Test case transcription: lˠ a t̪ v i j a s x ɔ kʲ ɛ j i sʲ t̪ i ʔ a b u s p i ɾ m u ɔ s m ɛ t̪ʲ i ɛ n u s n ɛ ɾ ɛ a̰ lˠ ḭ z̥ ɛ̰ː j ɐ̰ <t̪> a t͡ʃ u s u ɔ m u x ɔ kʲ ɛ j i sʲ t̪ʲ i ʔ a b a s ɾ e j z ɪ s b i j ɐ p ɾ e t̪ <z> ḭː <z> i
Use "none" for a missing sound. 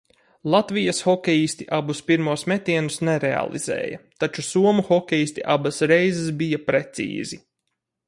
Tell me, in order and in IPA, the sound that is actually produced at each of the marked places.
t̪, s, z

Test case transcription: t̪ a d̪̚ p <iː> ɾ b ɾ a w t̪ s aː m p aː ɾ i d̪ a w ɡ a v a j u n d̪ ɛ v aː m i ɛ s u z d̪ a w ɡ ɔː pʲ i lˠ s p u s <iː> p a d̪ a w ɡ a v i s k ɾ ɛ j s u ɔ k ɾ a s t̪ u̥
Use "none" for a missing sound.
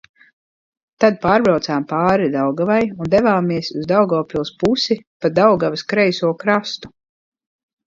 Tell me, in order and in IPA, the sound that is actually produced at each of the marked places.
aː, i

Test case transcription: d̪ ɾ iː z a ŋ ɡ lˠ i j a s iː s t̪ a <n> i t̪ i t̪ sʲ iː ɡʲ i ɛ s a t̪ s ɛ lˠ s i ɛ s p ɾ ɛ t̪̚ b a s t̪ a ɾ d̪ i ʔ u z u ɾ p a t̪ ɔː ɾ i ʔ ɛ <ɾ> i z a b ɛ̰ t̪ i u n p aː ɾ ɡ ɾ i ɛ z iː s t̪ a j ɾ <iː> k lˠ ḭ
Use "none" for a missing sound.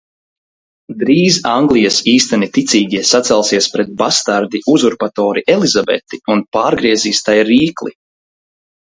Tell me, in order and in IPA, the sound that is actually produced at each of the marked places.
n, l, iː

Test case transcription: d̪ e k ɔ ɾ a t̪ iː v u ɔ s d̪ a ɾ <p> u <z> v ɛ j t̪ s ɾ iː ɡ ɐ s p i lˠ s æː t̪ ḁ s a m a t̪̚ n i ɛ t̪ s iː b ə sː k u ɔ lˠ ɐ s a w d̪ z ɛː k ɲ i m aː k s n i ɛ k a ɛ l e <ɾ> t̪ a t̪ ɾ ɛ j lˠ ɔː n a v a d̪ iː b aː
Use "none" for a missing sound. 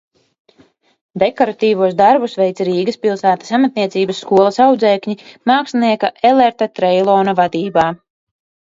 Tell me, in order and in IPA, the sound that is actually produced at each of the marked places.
b, s, ɾ

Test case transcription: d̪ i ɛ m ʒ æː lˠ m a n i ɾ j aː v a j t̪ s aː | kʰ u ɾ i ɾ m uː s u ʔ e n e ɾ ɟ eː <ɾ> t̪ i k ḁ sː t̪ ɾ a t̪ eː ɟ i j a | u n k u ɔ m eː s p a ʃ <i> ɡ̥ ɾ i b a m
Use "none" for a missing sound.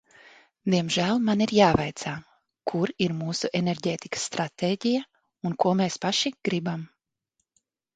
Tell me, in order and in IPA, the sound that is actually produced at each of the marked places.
none, i

